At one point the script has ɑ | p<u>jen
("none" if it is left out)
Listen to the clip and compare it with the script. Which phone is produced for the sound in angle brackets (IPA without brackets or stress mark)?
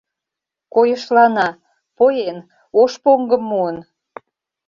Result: o